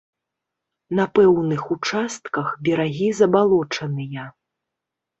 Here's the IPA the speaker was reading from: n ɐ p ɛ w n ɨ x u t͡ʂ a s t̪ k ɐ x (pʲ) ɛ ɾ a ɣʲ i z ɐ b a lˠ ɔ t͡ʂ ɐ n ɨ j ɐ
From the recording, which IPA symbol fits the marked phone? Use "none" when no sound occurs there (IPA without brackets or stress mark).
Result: bʲ